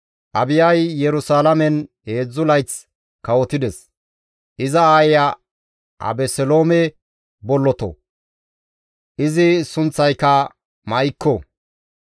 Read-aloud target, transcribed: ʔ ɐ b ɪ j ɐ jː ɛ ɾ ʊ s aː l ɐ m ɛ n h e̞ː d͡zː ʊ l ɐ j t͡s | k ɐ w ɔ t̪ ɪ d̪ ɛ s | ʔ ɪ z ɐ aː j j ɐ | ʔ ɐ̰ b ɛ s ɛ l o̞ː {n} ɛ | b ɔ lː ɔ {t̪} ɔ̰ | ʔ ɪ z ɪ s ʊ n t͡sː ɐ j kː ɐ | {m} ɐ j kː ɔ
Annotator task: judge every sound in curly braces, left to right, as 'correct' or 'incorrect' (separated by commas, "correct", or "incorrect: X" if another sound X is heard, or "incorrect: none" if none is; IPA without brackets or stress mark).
incorrect: m, correct, correct